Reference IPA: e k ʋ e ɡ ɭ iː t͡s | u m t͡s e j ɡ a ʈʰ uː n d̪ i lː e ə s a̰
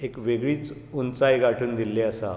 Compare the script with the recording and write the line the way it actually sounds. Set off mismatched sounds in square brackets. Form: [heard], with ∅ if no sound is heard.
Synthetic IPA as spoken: e k ʋ e ɡ ɭ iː t͡s | u [n] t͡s [a] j ɡ a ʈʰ uː n d̪ i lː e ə s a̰